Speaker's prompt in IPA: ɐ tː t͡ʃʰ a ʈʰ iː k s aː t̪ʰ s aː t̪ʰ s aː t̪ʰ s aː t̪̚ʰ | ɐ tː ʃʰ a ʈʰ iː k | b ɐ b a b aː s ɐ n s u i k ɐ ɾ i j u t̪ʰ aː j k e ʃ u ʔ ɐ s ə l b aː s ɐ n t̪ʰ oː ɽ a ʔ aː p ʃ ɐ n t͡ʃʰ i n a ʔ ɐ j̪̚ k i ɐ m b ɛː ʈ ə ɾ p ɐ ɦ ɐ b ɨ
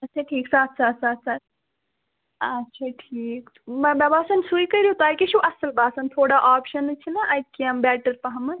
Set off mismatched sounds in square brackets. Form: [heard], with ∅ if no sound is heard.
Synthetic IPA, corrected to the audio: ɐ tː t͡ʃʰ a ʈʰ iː k s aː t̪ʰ s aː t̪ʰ s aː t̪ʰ s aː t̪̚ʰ | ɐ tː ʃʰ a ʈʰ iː k | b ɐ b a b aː s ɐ n s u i k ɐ ɾ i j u [t̪] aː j k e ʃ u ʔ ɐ s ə l b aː s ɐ n t̪ʰ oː ɽ a ʔ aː p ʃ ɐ n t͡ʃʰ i n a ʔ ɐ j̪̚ k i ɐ m b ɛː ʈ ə ɾ p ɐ ɦ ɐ [m] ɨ